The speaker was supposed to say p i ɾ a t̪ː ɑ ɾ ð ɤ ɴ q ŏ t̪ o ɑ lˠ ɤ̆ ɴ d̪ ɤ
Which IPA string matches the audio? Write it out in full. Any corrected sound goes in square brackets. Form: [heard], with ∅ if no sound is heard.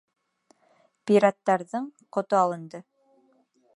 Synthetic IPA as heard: p i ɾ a t̪ː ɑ ɾ ð ɤ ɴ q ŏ t̪ o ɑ lˠ ɤ̆ [n] d̪ ɤ

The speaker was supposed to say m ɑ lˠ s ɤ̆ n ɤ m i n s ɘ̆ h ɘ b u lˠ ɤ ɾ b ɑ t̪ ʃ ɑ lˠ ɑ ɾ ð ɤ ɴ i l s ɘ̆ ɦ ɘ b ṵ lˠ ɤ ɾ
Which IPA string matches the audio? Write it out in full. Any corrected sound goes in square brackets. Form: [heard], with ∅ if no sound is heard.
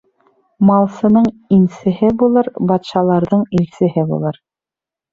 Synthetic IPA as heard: m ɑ lˠ s ɤ̆ n ɤ [ɴ] i n s ɘ̆ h ɘ b u lˠ ɤ ɾ b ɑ t̪ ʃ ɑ lˠ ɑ ɾ ð ɤ ɴ i l s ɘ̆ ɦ ɘ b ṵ lˠ ɤ ɾ

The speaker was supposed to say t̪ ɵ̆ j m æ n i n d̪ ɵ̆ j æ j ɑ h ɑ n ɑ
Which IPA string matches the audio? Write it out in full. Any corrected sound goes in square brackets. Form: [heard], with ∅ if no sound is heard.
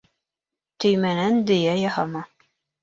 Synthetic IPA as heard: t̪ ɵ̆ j m æ n [æ] n d̪ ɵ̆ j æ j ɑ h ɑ [m] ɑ

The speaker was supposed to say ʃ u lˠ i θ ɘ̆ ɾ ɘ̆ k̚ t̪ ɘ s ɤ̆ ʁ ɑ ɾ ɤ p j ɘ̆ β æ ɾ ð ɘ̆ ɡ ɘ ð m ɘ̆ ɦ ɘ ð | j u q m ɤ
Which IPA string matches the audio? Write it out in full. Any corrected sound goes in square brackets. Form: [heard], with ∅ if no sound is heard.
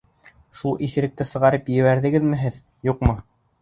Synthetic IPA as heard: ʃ u lˠ i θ ɘ̆ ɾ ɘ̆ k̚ t̪ ɘ s ɤ̆ ʁ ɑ ɾ ɤ p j ɘ̆ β æ ɾ ð ɘ̆ ɡ ɘ ð m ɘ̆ ɦ ɘ ð | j u q m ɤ

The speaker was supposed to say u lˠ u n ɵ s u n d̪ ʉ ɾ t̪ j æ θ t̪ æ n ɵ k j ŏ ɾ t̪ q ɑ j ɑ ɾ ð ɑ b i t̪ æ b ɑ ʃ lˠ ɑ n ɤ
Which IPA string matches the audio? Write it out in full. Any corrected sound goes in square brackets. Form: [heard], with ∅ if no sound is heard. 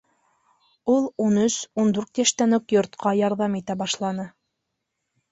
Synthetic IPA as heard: u lˠ u n ɵ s u n d̪ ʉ ɾ t̪ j æ [ʃ] t̪ æ n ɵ k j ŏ ɾ t̪ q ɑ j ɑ ɾ ð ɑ [m] i t̪ æ b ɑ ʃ lˠ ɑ n ɤ

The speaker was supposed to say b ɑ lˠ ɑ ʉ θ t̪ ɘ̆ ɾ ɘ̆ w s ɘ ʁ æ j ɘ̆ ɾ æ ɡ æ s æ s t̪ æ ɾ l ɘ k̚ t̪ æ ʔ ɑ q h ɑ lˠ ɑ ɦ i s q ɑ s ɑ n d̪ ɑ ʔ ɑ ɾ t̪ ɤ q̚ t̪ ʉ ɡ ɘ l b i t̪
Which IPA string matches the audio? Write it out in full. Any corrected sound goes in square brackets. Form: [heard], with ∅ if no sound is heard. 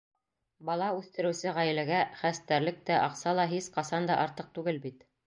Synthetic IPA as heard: b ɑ lˠ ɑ ʉ θ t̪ ɘ̆ ɾ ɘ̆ w s ɘ ʁ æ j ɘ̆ [l] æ ɡ æ [χ] æ s t̪ æ ɾ l ɘ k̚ t̪ æ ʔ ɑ q [s] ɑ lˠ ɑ ɦ i s q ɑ s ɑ n d̪ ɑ ʔ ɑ ɾ t̪ ɤ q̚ t̪ ʉ ɡ ɘ l b i t̪

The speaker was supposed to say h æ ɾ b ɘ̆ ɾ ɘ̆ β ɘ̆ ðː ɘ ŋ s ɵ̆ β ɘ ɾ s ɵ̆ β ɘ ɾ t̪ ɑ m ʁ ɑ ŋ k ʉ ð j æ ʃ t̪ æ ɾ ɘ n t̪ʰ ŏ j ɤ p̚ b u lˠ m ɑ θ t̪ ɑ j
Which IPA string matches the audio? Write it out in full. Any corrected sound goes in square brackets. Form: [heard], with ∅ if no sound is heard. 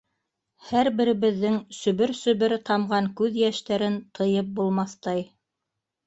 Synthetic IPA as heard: h æ ɾ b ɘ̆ ɾ ɘ̆ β ɘ̆ ðː ɘ ŋ s ɵ̆ β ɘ ɾ s ɵ̆ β ɘ ɾ t̪ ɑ m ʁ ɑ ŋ k ʉ ð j æ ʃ t̪ æ ɾ ɘ n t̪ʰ [ɤ̆] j ɤ p̚ b u lˠ m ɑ θ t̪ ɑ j

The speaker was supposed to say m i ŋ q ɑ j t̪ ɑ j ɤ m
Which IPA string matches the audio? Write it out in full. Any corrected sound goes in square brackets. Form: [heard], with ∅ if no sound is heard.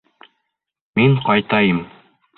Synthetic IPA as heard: m i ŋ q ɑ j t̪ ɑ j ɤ m

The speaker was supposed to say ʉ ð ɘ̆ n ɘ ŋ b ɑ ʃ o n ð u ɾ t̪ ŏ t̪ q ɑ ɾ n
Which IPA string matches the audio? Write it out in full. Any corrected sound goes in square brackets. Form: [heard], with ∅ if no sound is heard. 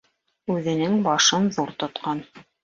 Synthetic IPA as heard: ʉ ð ɘ̆ n ɘ ŋ b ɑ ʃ [ɤ] n ð u ɾ t̪ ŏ t̪ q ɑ [∅] n

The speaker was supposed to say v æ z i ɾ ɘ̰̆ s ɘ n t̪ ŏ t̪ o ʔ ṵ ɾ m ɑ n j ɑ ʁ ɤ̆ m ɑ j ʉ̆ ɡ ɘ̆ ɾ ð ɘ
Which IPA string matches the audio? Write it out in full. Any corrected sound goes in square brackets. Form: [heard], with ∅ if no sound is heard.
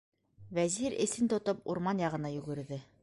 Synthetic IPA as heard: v æ z i ɾ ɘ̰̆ s ɘ n t̪ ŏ t̪ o [p] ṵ ɾ m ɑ n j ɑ ʁ ɤ̆ [n] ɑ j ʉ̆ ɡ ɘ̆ ɾ ð ɘ

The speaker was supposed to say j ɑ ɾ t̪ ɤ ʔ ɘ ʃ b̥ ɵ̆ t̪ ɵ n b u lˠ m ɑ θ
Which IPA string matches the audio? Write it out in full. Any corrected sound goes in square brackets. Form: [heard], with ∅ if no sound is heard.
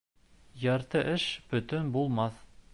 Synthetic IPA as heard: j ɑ ɾ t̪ ɤ ʔ ɘ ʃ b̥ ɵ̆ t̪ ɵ n b u lˠ m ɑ θ

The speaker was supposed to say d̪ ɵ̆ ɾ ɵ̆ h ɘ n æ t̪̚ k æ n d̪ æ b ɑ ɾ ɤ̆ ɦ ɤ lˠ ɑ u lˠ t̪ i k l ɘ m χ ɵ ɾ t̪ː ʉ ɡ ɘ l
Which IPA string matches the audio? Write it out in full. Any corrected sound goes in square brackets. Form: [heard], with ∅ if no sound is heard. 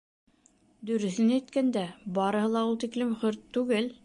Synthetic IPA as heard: d̪ ɵ̆ ɾ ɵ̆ [θ] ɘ n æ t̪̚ k æ n d̪ æ b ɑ ɾ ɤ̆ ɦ ɤ lˠ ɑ u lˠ t̪ i k l ɘ m χ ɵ ɾ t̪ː ʉ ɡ ɘ l

